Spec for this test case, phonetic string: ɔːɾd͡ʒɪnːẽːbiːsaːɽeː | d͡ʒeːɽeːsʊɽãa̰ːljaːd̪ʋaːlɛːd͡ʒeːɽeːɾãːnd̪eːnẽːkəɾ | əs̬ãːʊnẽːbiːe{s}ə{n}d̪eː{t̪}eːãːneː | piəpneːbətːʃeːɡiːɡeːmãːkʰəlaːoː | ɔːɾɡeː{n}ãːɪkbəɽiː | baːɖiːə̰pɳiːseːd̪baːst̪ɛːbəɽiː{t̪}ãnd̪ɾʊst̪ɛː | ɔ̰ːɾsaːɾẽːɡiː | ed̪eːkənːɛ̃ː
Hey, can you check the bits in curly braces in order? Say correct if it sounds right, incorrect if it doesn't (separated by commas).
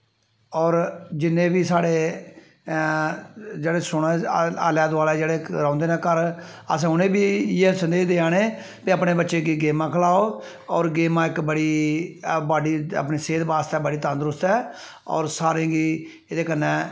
correct, correct, incorrect, incorrect, correct